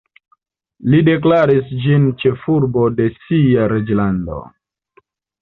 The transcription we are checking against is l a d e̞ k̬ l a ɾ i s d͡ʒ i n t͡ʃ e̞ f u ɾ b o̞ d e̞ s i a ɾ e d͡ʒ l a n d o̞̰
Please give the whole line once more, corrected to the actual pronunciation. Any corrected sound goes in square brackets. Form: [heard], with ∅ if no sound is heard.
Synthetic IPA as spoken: l [i] d e̞ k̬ l a ɾ i s d͡ʒ i n t͡ʃ e̞ f u ɾ b o̞ d e̞ s i a ɾ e d͡ʒ l a n d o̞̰